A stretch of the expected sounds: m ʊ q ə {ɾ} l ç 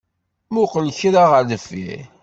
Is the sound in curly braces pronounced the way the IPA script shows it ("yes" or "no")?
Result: no